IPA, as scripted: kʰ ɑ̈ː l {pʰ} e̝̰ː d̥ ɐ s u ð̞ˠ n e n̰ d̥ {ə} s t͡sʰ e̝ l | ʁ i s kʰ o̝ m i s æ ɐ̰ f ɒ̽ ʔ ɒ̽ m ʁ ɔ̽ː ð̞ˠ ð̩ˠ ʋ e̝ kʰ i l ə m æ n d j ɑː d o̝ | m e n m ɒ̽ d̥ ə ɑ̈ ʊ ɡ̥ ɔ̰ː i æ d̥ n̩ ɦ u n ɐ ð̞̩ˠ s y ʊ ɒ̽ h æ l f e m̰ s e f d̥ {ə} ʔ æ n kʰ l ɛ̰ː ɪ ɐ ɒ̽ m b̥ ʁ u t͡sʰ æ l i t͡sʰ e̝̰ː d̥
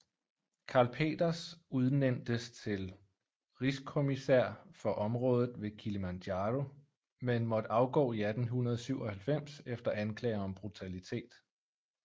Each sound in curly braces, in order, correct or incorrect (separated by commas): correct, correct, incorrect